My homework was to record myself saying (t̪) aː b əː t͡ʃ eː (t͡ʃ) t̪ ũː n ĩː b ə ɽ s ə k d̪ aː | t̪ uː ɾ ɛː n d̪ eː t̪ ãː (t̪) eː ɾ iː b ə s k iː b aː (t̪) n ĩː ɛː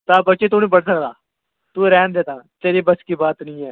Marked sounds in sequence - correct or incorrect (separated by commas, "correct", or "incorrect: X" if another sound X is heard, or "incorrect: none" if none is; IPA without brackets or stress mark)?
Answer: correct, incorrect: none, correct, correct